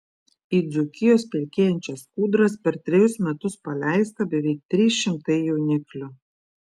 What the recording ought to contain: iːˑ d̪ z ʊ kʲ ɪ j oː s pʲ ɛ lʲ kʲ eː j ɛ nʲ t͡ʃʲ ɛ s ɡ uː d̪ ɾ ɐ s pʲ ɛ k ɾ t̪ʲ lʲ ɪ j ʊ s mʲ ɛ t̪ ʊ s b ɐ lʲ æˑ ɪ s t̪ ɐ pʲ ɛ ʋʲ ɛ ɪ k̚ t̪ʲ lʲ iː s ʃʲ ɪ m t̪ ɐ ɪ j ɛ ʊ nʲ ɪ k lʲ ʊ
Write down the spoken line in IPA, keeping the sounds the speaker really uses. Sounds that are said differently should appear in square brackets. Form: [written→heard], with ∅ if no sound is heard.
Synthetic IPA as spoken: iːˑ d̪ z ʊ kʲ ɪ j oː s pʲ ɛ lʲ kʲ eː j ɛ nʲ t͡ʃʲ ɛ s [ɡ→k] uː d̪ ɾ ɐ s pʲ ɛ [k→∅] ɾ t̪ʲ [lʲ→ɾʲ] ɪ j ʊ s mʲ ɛ t̪ ʊ s [b→p] ɐ lʲ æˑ ɪ s t̪ ɐ [pʲ→bʲ] ɛ ʋʲ ɛ ɪ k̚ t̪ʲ [lʲ→ɾʲ] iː s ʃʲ ɪ m t̪ ɐ ɪ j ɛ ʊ nʲ ɪ k lʲ ʊ

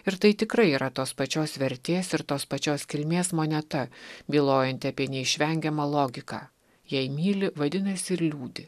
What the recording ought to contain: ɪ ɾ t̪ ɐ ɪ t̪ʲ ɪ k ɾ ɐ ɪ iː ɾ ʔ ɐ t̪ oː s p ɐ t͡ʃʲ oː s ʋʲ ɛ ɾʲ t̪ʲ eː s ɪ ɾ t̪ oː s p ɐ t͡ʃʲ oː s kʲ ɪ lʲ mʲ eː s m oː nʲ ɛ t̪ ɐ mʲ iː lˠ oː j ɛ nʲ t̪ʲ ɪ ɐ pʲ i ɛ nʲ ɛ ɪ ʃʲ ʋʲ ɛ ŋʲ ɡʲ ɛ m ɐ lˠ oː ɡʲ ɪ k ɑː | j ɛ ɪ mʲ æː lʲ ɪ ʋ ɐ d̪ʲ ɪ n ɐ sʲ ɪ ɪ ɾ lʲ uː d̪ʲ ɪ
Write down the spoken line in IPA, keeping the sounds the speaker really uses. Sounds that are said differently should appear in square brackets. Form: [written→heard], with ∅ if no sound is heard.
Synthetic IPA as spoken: ɪ ɾ t̪ ɐ ɪ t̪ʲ ɪ k ɾ ɐ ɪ iː ɾ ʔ ɐ t̪ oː s p ɐ t͡ʃʲ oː s ʋʲ ɛ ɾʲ t̪ʲ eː s ɪ ɾ t̪ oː s p ɐ t͡ʃʲ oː s kʲ ɪ lʲ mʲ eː s m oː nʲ ɛ t̪ ɐ [mʲ→bʲ] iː lˠ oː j ɛ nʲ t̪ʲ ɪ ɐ pʲ i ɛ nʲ ɛ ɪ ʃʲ ʋʲ ɛ ŋʲ ɡʲ ɛ m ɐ lˠ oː ɡʲ ɪ k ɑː | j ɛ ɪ mʲ [æː→iː] lʲ ɪ ʋ ɐ d̪ʲ ɪ n ɐ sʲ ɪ ɪ ɾ lʲ uː d̪ʲ ɪ

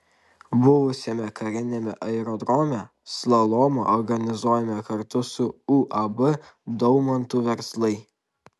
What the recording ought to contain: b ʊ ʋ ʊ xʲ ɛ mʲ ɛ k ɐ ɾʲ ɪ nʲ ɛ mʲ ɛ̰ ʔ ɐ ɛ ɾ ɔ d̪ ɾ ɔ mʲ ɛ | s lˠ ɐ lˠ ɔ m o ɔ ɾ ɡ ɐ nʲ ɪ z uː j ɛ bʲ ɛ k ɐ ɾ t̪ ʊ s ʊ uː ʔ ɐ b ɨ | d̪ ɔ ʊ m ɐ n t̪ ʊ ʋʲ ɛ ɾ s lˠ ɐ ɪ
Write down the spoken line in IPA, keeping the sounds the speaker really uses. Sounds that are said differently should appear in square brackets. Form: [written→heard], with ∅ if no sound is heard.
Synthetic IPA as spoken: b ʊ ʋ ʊ [xʲ→sʲ] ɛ mʲ ɛ k ɐ ɾʲ ɪ nʲ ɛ mʲ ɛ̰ ʔ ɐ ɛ ɾ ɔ d̪ ɾ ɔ mʲ ɛ | s lˠ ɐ lˠ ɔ m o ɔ ɾ ɡ ɐ nʲ ɪ z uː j ɛ [bʲ→mʲ] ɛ k ɐ ɾ t̪ ʊ s ʊ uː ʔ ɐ b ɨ | d̪ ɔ ʊ m ɐ n t̪ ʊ ʋʲ ɛ ɾ s lˠ ɐ ɪ

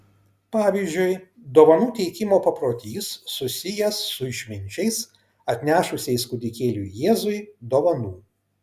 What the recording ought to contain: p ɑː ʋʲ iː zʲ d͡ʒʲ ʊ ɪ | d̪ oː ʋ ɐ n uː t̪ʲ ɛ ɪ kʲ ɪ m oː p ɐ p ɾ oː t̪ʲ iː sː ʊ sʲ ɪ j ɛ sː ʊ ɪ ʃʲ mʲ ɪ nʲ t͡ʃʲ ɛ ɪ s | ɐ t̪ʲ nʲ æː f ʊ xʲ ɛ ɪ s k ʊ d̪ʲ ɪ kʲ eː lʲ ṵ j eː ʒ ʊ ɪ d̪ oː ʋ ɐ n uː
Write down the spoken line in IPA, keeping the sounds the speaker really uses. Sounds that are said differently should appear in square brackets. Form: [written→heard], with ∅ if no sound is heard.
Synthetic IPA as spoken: p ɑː ʋʲ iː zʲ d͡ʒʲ ʊ ɪ | d̪ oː ʋ ɐ n uː t̪ʲ ɛ ɪ kʲ ɪ m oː p ɐ p ɾ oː t̪ʲ iː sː ʊ sʲ ɪ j ɛ sː ʊ ɪ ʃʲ mʲ ɪ nʲ t͡ʃʲ ɛ ɪ s | ɐ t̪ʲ nʲ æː [f→ʃ] ʊ [xʲ→sʲ] ɛ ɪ s k ʊ d̪ʲ ɪ kʲ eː lʲ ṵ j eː [ʒ→z] ʊ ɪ d̪ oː ʋ ɐ n uː

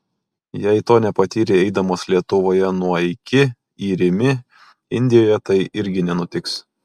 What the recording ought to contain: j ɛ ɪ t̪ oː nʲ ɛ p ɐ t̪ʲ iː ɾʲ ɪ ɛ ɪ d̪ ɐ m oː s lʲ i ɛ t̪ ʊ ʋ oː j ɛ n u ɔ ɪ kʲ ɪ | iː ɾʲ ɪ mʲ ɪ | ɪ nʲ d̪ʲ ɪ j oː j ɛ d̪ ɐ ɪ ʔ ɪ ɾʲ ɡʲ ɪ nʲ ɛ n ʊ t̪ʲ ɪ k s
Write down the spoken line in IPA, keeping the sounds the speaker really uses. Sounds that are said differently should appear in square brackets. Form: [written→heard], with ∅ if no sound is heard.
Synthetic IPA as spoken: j ɛ ɪ t̪ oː nʲ ɛ p ɐ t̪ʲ iː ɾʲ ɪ ɛ ɪ d̪ ɐ m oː s lʲ i ɛ t̪ ʊ ʋ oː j ɛ n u ɔ ɪ kʲ ɪ | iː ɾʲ ɪ mʲ ɪ | ɪ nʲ d̪ʲ ɪ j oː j ɛ [d̪→t̪] ɐ ɪ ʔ ɪ ɾʲ ɡʲ ɪ nʲ ɛ n ʊ t̪ʲ ɪ k s

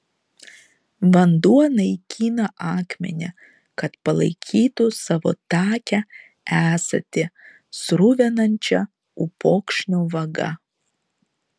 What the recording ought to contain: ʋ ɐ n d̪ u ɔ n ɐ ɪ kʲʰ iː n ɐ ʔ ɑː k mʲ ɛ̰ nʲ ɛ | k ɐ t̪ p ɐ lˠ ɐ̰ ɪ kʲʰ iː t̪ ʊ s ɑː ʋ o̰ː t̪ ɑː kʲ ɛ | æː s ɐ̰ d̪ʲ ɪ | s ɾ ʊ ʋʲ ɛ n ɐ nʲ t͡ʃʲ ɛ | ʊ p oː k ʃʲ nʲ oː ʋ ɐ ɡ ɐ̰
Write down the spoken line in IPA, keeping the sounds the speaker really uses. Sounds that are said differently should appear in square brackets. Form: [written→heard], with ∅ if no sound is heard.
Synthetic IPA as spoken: ʋ ɐ n d̪ u ɔ n ɐ ɪ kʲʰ iː n ɐ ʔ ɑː k mʲ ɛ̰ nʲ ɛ | k ɐ t̪ p ɐ lˠ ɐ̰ ɪ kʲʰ iː t̪ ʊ s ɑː ʋ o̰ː t̪ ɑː kʲ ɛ | æː s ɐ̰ [d̪ʲ→t̪ʲ] ɪ | s ɾ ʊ ʋʲ ɛ n ɐ nʲ t͡ʃʲ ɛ | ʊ p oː k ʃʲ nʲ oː ʋ ɐ ɡ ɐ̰

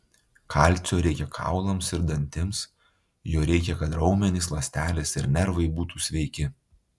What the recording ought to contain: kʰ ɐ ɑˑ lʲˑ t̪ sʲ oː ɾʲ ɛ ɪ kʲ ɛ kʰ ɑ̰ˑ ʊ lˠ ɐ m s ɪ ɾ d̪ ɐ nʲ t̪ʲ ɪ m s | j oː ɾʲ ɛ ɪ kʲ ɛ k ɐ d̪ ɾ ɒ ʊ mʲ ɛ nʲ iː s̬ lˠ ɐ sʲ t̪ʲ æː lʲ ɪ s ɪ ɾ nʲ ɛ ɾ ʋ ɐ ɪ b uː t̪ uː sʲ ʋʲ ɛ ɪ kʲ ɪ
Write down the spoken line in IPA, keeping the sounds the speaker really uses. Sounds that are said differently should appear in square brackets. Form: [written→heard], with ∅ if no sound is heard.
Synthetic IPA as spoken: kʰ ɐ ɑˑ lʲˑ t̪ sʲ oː ɾʲ ɛ ɪ kʲ ɛ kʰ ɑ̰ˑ ʊ lˠ ɐ m s ɪ ɾ d̪ ɐ nʲ t̪ʲ ɪ m s | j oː ɾʲ ɛ ɪ kʲ ɛ k ɐ [d̪→t̪] ɾ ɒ ʊ mʲ ɛ nʲ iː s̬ lˠ ɐ sʲ t̪ʲ æː lʲ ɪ s ɪ ɾ nʲ ɛ ɾ ʋ ɐ ɪ b uː t̪ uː sʲ ʋʲ ɛ ɪ kʲ ɪ

